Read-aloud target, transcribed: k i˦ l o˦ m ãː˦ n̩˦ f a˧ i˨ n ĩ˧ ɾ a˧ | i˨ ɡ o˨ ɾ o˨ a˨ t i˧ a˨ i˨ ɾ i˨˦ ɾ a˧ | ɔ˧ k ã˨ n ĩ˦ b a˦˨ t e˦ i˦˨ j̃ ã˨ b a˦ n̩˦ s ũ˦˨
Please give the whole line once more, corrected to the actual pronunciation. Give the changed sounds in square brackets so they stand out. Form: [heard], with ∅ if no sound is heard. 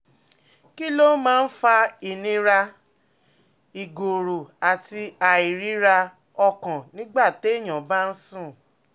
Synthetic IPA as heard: k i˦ l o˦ m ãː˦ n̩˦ f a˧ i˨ n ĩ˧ ɾ a˧ | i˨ ɡ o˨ ɾ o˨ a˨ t i˧ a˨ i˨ ɾ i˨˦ ɾ a˧ | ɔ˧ k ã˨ n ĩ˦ [ɡ͡b] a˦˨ t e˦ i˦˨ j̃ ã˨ b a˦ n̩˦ s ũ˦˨